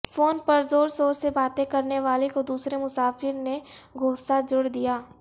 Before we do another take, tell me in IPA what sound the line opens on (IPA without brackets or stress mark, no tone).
f